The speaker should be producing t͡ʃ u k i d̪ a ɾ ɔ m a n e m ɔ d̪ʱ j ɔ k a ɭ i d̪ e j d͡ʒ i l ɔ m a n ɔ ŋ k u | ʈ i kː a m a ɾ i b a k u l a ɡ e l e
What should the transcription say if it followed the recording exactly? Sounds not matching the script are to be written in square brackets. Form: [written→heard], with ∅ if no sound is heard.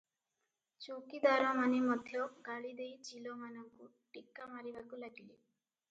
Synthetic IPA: t͡ʃ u k i d̪ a ɾ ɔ m a n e m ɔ d̪ʱ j ɔ [k→ɡ] a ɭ i d̪ e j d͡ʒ i l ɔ m a n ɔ ŋ k u | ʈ i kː a m a ɾ i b a k u l a ɡ [e→i] l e